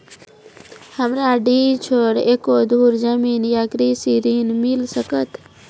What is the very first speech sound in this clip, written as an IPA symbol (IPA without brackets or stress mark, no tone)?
h